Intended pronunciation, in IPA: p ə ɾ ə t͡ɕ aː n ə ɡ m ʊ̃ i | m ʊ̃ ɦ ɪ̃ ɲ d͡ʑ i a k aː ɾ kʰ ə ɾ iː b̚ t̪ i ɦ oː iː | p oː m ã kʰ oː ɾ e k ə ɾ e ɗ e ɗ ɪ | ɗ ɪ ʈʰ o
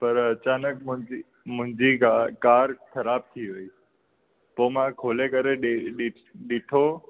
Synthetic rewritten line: p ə ɾ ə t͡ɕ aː n ə k m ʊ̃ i | m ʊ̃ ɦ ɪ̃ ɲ d͡ʑ i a k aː ɾ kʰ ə ɾ aː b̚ t̪ʰ i ɦ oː iː | p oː m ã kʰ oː l e k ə ɾ e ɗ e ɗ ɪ | ɗ ɪ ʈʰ o

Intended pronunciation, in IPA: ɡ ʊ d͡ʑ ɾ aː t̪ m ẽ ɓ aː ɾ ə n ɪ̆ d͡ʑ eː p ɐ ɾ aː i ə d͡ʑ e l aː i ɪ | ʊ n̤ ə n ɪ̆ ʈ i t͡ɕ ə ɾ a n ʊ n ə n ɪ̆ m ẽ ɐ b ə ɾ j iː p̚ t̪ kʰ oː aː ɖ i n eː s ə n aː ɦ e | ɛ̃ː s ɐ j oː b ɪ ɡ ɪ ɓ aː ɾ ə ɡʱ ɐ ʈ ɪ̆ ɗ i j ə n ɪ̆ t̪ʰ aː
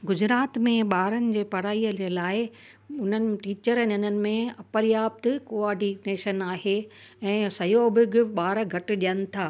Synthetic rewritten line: ɡ ʊ d͡ʑ ɾ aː t̪ m ẽ ɓ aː ɾ ə n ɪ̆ d͡ʑ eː p ɐ ɾ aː i ə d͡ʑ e l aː ɪ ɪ | ʊ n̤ ə n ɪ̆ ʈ iː t͡ɕ ə ɾ ə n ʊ n ə n ɪ̆ m ẽ ɐ p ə ɾ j aː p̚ t̪ k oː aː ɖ i n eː ʃ ə n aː ɦ e | ɛ̃ː s ɐ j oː b ɪ ɡ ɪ ɓ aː ɾ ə ɡʱ ɐ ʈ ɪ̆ ɗ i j ə n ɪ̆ t̪ʰ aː

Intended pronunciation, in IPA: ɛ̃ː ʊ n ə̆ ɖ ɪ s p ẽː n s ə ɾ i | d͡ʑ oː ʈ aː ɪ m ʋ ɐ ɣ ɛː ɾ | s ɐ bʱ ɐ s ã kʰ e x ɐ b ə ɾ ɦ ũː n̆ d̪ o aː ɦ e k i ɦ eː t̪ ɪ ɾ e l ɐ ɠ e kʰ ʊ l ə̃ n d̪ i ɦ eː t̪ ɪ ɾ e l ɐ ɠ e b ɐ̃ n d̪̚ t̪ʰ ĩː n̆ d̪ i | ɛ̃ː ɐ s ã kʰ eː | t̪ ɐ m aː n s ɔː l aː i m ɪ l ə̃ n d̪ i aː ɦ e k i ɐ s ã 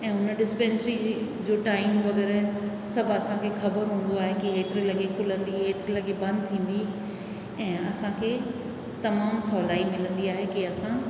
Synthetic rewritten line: ɛ̃ː ʊ n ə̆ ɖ ɪ s p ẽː n s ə ɾ i | d͡ʑ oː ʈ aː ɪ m ʋ ɐ ɣ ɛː ɾ | s ɐ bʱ ɐ s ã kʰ e x ɐ b ə ɾ ɦ ũː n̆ d̪ o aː ɦ e k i ɦ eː t̪ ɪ ɾ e l ɐ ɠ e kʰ ʊ l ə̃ n d̪ i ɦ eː t̪ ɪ ɾ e l ɐ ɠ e b ɐ̃ n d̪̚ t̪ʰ ĩː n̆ d̪ i | ɛ̃ː ɐ s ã kʰ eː | t̪ ɐ m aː m s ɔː l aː i m ɪ l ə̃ n d̪ i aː ɦ e k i ɐ s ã

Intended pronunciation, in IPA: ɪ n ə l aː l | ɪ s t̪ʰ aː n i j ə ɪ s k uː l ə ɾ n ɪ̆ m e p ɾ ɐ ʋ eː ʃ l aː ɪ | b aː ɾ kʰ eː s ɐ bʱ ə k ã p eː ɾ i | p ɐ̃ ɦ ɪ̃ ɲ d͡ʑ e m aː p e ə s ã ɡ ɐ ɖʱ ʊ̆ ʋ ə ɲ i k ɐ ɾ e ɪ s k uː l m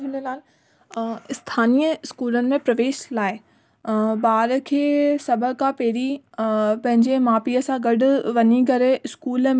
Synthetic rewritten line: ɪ n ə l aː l | ɪ s t̪ʰ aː n i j ə ɪ s k uː l ə n ɪ̆ m ẽ p ɾ ɐ ʋ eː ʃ l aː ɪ | b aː ɾ kʰ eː s ɐ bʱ ə k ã p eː ɾ i | p ɐ̃ ɦ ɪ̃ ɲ d͡ʑ e m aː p i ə s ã ɡ ɐ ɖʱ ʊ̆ ʋ ɐ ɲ i k ɐ ɾ e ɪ s k uː l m

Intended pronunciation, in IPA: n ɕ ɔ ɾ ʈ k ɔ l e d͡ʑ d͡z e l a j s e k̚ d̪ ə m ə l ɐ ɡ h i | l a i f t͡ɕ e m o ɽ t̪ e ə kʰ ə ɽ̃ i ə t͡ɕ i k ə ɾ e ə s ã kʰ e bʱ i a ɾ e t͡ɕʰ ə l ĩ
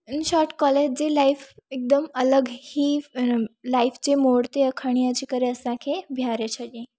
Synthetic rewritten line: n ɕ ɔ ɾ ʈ k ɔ l e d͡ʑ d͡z e l a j f e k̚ d̪ ə m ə l ə ɡ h i | l a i f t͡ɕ e m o ɽ t̪ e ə kʰ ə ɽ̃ i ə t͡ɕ i k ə ɾ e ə s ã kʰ e bʱ j a ɾ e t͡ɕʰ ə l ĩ

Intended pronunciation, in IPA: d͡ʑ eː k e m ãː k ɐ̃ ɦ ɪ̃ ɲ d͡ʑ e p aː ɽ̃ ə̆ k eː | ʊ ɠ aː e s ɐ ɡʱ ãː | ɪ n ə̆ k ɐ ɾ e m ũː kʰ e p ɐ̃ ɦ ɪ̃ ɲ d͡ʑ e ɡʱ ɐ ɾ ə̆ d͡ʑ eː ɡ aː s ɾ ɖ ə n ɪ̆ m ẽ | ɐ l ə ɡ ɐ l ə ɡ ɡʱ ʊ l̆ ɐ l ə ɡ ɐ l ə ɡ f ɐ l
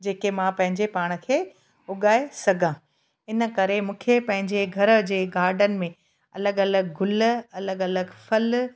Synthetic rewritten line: d͡ʑ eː k e m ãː p ɐ̃ ɦ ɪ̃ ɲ d͡ʑ e p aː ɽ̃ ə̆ kʰ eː | ʊ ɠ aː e s ɐ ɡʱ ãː | ɪ n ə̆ k ɐ ɾ e m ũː kʰ e p ɐ̃ ɦ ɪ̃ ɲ d͡ʑ e ɡʱ ɐ ɾ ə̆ d͡ʑ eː ɡ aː ɾ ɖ ə n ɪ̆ m ẽ | ɐ l ə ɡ ɐ l ə ɡ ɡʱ ʊ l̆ ɐ l ə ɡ ɐ l ə ɡ f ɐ l

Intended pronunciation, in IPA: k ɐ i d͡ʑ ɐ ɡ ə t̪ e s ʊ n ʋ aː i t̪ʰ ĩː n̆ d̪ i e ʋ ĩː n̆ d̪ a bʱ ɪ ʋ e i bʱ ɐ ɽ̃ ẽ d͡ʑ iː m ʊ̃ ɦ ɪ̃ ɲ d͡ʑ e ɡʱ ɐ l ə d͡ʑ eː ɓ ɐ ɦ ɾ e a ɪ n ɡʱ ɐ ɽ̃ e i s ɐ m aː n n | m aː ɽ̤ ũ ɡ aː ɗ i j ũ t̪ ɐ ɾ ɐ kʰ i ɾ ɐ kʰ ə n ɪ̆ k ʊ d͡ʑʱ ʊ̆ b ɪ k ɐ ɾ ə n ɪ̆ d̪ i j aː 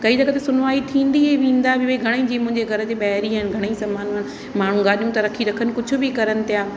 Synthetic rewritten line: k ɐ i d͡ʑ ɐ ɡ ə t̪ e s ʊ n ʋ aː i t̪ʰ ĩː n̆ d̪ i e ʋ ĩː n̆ d̪ a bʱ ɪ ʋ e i ɡʱ ɐ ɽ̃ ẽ d͡ʑ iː m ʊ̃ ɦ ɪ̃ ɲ d͡ʑ e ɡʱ ɐ ɾ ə d͡ʑ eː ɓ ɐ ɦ ɾ i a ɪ n ɡʱ ɐ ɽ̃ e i s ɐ m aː n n | m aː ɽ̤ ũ ɡ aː ɗ i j ũ t̪ ɐ ɾ ɐ kʰ i ɾ ɐ kʰ ə n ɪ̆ k ʊ d͡ʑʱ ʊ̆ b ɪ k ɐ ɾ ə n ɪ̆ t̪ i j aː

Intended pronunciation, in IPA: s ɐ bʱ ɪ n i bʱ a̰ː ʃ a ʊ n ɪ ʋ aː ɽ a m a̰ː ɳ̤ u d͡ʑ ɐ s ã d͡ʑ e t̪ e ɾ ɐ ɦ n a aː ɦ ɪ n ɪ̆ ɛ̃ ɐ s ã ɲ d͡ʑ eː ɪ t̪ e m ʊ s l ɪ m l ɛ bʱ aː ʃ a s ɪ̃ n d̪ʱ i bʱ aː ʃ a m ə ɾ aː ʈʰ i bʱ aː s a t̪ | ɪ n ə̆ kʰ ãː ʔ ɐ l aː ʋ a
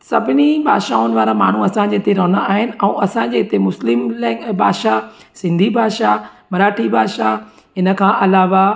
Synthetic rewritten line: s ɐ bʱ ɪ n i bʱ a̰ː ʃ a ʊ n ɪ ʋ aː ɾ a m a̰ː ɳ̤ u ɐ s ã d͡ʑ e t̪ e ɾ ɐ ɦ n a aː ɦ ɪ n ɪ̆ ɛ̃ ɐ s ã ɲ d͡ʑ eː ɪ t̪ e m ʊ s l ɪ m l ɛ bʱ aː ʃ a s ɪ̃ n d̪ʱ i bʱ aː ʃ a m ɐ ɾ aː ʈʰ i bʱ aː ʃ a | ɪ n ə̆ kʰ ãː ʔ ɐ l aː ʋ a

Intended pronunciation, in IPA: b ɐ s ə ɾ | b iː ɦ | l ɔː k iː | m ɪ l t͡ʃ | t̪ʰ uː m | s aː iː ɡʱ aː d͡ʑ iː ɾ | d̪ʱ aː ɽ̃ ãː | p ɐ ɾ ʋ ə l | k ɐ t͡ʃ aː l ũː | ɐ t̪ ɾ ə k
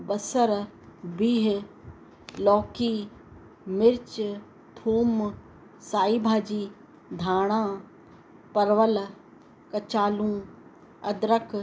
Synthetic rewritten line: b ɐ s ə ɾ | b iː ɦ | l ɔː k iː | m ɪ ɾ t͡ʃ | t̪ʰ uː m | s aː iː bʱ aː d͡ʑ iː | d̪ʱ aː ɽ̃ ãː | p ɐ ɾ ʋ ə l | k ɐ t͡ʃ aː l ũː | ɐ d̪ ɾ ə k

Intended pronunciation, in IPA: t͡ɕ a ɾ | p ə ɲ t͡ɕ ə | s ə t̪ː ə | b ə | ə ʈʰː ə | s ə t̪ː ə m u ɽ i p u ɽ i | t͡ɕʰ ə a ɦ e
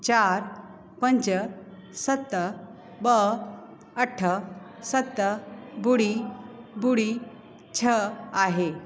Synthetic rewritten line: t͡ɕ a ɾ | p ə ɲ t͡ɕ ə | s ə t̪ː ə | b ə | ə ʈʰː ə | s ə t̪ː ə b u ɽ i b u ɽ i | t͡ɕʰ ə a ɦ e

